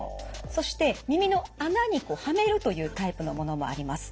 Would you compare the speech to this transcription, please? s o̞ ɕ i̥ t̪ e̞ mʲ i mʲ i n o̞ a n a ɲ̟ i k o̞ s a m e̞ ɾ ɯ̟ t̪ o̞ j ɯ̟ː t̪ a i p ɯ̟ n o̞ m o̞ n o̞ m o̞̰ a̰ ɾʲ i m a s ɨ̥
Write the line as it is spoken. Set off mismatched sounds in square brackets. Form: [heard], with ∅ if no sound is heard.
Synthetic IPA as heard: s o̞ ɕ i̥ t̪ e̞ mʲ i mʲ i n o̞ a n a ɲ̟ i k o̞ [h] a m e̞ ɾ ɯ̟ t̪ o̞ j ɯ̟ː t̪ a i p ɯ̟ n o̞ m o̞ n o̞ m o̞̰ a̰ ɾʲ i m a s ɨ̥